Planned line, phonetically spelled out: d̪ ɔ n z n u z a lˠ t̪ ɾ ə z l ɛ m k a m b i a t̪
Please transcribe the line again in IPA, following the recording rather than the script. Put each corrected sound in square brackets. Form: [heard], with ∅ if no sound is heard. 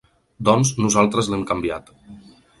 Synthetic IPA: d̪ ɔ n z n u z a lˠ t̪ ɾ ə z l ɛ m k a m b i a t̪